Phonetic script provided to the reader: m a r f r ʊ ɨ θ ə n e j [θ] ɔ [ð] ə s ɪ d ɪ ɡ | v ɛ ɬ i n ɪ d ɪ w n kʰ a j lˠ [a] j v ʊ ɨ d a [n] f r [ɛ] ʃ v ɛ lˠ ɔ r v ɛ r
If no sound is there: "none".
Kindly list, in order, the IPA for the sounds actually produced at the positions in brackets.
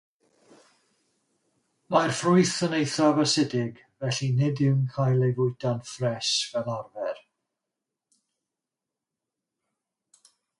θ, v, e, n, ɛ

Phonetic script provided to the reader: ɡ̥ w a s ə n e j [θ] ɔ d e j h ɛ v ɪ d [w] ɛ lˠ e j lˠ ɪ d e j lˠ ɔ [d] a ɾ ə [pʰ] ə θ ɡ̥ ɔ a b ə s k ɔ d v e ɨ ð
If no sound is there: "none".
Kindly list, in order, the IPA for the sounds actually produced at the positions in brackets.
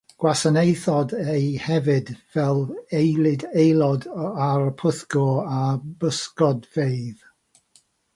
θ, v, d, pʰ

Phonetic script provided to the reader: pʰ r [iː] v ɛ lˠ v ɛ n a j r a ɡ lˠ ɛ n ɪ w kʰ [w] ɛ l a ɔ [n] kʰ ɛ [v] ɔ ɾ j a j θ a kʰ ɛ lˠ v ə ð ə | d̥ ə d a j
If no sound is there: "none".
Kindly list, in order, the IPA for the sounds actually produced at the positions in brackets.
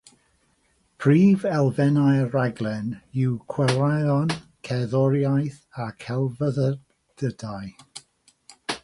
iː, w, n, ð

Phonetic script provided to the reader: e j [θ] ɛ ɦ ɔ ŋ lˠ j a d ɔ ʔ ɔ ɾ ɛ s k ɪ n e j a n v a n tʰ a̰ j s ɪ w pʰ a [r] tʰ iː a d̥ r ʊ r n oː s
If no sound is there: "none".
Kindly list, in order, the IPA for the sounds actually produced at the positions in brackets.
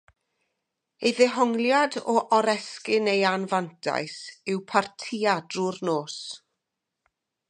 ð, r

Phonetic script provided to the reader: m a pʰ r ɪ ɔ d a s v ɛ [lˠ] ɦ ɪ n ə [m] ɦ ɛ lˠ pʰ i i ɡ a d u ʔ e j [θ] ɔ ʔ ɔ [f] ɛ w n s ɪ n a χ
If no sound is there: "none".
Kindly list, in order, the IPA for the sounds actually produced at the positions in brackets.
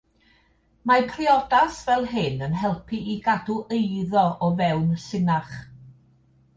lˠ, n, ð, v

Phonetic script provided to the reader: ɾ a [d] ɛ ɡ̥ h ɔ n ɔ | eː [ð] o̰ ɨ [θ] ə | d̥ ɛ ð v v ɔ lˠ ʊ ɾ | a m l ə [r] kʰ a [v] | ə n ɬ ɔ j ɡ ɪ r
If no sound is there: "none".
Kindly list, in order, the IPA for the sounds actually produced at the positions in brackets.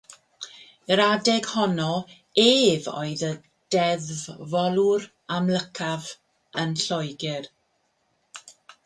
d, v, ð, none, v

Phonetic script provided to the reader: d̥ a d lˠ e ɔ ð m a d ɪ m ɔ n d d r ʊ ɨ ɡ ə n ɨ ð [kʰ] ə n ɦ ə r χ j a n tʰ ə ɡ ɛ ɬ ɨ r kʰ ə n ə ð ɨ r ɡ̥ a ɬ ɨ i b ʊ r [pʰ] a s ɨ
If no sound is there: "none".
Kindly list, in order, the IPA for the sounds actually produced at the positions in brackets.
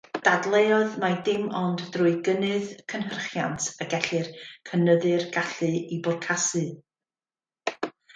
kʰ, kʰ

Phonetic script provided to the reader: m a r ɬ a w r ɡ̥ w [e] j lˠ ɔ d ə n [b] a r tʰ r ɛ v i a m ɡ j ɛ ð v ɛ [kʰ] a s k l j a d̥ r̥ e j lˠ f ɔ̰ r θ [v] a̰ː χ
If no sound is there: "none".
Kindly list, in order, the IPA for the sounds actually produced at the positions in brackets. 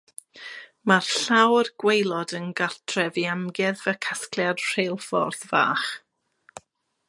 e, ɡ, kʰ, v

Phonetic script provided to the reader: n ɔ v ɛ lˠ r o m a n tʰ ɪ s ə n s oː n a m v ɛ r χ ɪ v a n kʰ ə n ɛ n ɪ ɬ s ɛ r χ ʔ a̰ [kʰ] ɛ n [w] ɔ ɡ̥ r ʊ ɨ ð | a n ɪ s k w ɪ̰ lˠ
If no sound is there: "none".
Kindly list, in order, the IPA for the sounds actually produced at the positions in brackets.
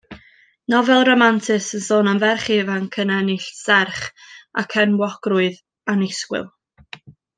kʰ, w

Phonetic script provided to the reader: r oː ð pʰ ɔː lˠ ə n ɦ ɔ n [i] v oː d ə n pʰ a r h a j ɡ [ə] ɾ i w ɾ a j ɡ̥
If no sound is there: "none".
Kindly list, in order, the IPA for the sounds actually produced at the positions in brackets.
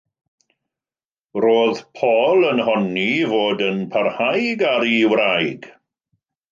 i, a

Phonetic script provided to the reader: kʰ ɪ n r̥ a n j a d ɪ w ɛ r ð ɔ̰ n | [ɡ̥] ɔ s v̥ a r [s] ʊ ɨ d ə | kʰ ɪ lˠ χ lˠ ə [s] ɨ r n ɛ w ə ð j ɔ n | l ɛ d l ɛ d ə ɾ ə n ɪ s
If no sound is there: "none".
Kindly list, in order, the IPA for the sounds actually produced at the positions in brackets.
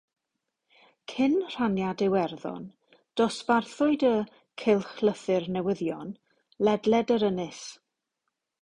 d̥, θ, θ

